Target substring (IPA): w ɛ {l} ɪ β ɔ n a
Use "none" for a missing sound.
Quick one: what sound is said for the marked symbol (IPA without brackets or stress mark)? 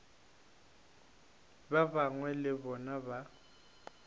l